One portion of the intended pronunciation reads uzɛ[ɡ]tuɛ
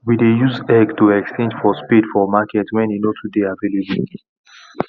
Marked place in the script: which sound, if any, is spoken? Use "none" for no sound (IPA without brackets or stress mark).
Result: ɡ